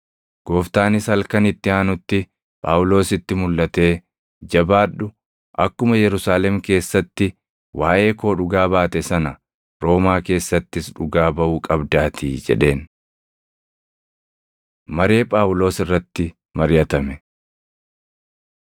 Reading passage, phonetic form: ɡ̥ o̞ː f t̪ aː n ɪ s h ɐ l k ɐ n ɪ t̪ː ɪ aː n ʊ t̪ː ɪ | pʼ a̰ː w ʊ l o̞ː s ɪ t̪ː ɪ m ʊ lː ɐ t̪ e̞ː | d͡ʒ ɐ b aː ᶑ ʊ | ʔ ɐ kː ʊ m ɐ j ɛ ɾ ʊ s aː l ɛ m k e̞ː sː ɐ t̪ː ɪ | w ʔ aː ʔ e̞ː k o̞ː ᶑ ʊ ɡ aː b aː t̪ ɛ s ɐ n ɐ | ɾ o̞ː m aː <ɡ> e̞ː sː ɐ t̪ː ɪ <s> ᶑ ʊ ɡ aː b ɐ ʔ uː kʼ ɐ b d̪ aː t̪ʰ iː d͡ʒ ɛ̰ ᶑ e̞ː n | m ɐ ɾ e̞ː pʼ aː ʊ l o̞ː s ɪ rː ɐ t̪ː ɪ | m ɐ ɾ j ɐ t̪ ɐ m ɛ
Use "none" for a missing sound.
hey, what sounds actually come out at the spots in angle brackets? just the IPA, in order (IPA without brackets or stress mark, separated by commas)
k, s